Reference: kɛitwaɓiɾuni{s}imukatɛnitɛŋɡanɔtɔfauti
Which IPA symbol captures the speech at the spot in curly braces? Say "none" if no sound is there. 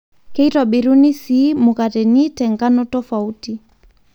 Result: s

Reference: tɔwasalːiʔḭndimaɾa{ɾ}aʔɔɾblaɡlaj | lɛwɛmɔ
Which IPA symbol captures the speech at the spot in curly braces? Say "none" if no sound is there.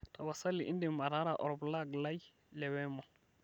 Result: ɾ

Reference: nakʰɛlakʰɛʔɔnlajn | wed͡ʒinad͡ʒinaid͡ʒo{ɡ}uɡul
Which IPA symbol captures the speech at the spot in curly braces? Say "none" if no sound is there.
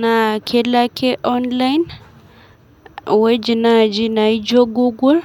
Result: ɡ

